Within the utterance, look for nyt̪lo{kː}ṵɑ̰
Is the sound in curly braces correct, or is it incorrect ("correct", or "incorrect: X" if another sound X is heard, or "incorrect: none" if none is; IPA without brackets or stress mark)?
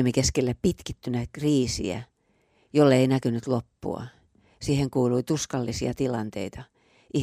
incorrect: pː